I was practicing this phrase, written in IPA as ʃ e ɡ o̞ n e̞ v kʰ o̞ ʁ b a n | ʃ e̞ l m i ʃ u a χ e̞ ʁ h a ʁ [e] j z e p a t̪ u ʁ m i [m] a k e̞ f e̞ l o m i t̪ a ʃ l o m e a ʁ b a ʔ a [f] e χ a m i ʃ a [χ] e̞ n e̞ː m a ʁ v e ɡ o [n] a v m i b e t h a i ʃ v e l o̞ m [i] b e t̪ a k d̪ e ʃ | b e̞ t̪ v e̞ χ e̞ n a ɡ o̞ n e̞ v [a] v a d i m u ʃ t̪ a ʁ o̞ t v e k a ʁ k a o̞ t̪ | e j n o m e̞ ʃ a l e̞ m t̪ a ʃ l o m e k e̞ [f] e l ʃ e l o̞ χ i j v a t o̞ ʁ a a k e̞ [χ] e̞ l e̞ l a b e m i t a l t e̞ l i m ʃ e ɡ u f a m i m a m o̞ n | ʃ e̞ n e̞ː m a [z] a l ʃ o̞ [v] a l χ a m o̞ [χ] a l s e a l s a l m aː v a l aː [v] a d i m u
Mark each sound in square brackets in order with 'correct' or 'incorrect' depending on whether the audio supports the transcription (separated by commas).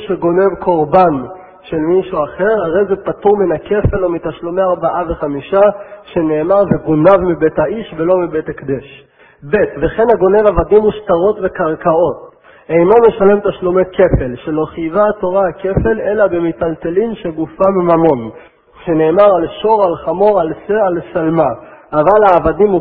correct, incorrect, incorrect, incorrect, correct, correct, correct, correct, incorrect, incorrect, incorrect, incorrect, correct